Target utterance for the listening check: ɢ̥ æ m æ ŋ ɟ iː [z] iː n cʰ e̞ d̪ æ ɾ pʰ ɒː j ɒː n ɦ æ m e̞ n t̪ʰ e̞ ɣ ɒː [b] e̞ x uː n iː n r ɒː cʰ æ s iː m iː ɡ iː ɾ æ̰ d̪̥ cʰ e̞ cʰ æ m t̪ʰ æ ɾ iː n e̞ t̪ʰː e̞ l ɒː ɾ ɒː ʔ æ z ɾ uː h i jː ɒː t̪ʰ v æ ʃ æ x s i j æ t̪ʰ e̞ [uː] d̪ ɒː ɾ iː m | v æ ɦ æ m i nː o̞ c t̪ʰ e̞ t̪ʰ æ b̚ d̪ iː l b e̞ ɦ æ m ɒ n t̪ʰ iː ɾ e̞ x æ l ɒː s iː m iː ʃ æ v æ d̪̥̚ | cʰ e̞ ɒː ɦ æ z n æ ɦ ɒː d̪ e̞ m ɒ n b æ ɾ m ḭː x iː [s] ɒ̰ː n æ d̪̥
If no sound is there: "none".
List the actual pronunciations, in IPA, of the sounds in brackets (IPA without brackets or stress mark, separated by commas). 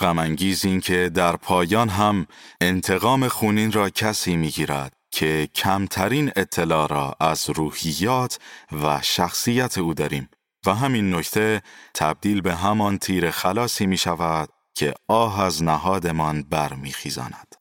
z, m, uː, z